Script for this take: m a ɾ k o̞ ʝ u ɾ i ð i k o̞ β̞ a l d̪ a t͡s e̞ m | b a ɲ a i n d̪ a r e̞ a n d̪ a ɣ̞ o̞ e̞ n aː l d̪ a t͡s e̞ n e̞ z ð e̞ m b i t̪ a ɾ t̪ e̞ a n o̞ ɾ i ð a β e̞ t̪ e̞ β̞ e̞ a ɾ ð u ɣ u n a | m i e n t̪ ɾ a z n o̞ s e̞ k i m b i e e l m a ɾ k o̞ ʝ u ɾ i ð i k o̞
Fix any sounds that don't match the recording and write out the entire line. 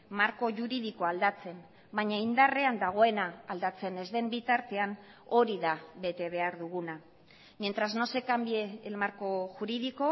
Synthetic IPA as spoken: m a ɾ k o̞ ʝ u ɾ i ð i k o̞ a l d̪ a t͡s e̞ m | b a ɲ a i n d̪ a r e̞ a n d̪ a ɣ̞ o̞ e̞ n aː l d̪ a t͡s e̞ n e̞ z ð e̞ m b i t̪ a ɾ t̪ e̞ a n o̞ ɾ i ð a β e̞ t̪ e̞ β̞ e̞ a ɾ ð u ɣ u n a | m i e n t̪ ɾ a z n o̞ s e̞ k a m b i e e l m a ɾ k o̞ ʝ u ɾ i ð i k o̞